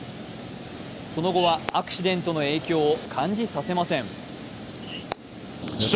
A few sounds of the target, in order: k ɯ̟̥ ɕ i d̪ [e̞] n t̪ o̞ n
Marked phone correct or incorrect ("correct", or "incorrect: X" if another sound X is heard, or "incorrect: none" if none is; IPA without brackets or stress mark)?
incorrect: ẽ̞